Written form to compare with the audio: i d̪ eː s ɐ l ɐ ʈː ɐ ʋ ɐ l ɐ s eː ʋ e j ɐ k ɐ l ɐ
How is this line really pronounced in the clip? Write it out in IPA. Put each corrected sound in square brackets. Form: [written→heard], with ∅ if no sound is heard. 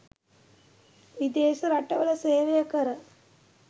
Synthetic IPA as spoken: i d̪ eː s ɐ [l→ɾ] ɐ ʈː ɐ ʋ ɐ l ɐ s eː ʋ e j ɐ k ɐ [l→ɾ] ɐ